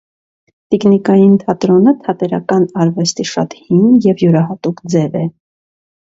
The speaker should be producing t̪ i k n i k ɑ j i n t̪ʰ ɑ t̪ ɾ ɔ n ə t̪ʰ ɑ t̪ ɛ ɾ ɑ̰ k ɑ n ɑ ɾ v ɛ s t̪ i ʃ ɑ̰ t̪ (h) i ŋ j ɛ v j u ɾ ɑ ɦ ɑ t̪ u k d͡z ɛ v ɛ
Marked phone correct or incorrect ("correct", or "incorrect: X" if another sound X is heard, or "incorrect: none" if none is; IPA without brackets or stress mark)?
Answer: correct